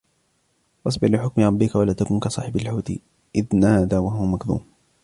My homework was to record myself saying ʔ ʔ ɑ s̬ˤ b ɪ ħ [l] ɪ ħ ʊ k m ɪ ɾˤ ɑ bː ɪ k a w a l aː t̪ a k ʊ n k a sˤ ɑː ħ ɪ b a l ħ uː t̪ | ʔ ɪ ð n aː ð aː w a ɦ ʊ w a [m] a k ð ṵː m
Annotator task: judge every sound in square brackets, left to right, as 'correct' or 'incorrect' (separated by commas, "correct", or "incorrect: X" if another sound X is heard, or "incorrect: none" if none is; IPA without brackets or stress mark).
correct, correct